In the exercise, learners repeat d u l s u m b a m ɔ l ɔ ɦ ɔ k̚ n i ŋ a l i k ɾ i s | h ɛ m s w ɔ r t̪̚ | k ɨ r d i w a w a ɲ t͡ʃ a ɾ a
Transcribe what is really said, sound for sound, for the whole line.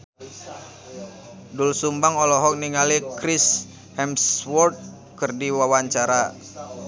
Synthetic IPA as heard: d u l s u m b a ŋ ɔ l ɔ ɦ ɔ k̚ n i ŋ a l i k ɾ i s | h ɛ m s w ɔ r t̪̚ | k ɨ r d i w a w a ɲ t͡ʃ a ɾ a

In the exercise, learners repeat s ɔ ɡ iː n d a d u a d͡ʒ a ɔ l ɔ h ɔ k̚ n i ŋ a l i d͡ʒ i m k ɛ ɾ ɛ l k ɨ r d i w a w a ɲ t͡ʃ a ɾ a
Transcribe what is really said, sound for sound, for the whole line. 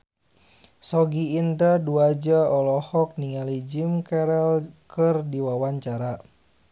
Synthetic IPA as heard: s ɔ ɡ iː n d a d u a d͡ʒ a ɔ l ɔ h ɔ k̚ n i ŋ a l i d͡ʒ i m k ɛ ɾ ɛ l k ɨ r d i w a w a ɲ t͡ʃ a ɾ a

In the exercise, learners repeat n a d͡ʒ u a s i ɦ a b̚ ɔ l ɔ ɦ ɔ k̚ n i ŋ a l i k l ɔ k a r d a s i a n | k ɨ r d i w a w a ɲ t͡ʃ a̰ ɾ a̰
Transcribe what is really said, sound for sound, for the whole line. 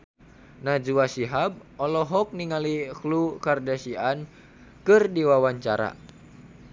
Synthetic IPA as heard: n a d͡ʒ u a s i ɦ a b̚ ɔ l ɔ ɦ ɔ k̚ n i ŋ a l i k l u k a r d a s i a n | k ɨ r d i w a w a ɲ t͡ʃ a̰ ɾ a̰

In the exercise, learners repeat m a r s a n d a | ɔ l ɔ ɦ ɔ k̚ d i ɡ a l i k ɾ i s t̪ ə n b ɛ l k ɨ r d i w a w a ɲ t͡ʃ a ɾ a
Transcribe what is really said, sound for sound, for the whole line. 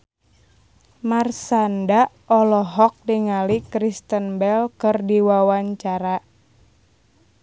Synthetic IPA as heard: m a r s a n d a | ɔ l ɔ ɦ ɔ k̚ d i ŋ a l i k ɾ i s t̪ ə n b ɛ l k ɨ r d i w a w a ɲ t͡ʃ a ɾ a

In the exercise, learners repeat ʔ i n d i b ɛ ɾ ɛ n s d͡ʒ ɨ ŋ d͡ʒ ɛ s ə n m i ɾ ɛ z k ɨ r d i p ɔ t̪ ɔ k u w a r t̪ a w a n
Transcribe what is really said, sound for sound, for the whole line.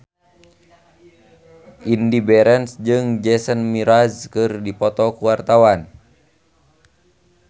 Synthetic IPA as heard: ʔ i n d i b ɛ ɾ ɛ n s d͡ʒ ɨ ŋ d͡ʒ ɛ s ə n m i ɾ a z k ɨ r d i p ɔ t̪ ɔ k u w a r t̪ a w a n

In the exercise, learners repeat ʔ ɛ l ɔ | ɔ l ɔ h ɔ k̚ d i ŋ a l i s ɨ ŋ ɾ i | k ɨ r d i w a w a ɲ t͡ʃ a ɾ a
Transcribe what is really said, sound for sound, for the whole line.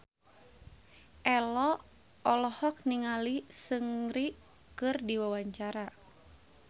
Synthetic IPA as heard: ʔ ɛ l ɔ | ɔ l ɔ h ɔ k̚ n i ŋ a l i s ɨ ŋ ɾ i | k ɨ r d i w a w a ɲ t͡ʃ a ɾ a

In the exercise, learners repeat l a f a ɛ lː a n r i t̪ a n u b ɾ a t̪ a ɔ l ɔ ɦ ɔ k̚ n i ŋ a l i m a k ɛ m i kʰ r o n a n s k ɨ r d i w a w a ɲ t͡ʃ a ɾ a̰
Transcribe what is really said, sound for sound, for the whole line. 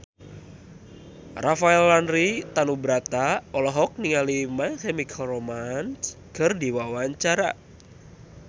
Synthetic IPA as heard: r a f a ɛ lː a n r i t̪ a n u b ɾ a t̪ a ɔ l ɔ ɦ ɔ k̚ n i ŋ a l i m a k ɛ m i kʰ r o m a n s k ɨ r d i w a w a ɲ t͡ʃ a ɾ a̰

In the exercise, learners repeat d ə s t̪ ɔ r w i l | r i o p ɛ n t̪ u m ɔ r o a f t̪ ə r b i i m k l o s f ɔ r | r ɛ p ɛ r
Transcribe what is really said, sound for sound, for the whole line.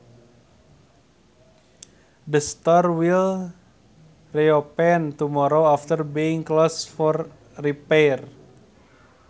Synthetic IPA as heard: d ə s t̪ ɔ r w i l | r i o p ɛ n t̪ u m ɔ ɾ o a f t̪ ə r b i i ŋ k l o s f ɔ r | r i p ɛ r

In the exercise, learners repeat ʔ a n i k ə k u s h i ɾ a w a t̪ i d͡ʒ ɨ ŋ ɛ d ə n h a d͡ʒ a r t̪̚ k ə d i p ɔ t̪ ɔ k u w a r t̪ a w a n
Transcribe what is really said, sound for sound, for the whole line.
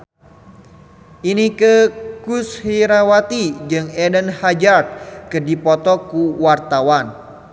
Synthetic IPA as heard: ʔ i n i k ə k u s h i ɾ a w a t̪ i d͡ʒ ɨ ŋ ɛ d ə n h a d͡ʒ a r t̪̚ k ə d i p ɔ t̪ ɔ k u w a r t̪ a w a n

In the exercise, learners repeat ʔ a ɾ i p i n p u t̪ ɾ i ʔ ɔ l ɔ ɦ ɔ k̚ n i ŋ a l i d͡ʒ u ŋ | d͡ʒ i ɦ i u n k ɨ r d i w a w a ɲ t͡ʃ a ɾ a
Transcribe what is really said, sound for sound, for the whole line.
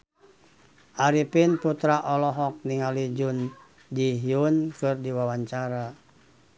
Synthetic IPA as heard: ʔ a ɾ i p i n p u t̪ ɾ a ʔ ɔ l ɔ ɦ ɔ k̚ n i ŋ a l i d͡ʒ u n | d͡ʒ i ɦ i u n k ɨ r d i w a w a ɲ t͡ʃ a ɾ a

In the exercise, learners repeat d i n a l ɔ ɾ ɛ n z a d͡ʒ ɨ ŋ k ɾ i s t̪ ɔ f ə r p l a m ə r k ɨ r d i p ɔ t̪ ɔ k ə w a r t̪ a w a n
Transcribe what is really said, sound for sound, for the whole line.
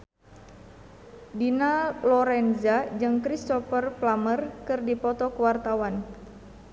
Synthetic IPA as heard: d i n a l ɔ ɾ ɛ n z a d͡ʒ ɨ ŋ k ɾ i s t̪ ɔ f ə r p l a m ə r k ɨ r d i p ɔ t̪ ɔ k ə w a r t̪ a w a n

